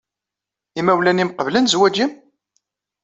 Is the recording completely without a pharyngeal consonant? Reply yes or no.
yes